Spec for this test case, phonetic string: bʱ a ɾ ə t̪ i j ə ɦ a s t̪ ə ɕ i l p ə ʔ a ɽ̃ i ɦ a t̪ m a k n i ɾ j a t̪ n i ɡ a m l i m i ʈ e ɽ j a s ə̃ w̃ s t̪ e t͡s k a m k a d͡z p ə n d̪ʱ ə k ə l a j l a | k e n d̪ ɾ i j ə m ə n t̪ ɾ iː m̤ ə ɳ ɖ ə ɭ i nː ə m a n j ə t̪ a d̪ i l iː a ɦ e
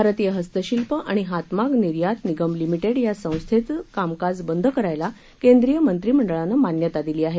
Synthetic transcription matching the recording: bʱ a ɾ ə t̪ i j ə ɦ ə s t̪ ə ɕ i l p ə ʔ a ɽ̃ i ɦ a t̪ m a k n i ɾ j a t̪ n i ɡ ə m l i m i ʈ e ɽ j a s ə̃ w̃ s t̪ʰ e t͡s k a m k a d͡z b ə n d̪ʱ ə k ə ɾ a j l a | k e n d̪ ɾ i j ə m ə n t̪ ɾ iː m̤ ə ɳ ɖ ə ɭ a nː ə m a n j ə t̪ a d̪ i l iː a ɦ e